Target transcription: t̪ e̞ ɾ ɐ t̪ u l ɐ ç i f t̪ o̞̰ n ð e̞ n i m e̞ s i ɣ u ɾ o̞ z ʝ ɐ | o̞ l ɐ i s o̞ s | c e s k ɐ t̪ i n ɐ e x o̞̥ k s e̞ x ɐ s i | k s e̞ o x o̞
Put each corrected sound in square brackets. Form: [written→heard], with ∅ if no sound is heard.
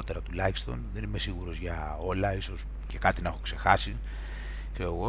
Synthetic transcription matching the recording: t̪ e̞ ɾ ɐ t̪ u l ɐ ç i [f→s] t̪ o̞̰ n ð e̞ n i m e̞ s i ɣ u ɾ o̞ z ʝ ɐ | o̞ l ɐ i s o̞ s | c e [s→∅] k ɐ t̪ i n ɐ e x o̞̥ k s e̞ x ɐ s i | k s e̞ o [x→ɣ] o̞